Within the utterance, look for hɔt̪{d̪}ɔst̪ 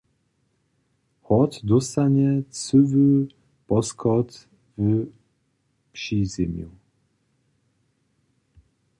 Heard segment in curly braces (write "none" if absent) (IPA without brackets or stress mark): d̪